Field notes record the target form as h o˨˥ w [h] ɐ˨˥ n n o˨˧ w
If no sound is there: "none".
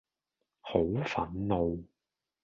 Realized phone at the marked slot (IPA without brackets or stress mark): f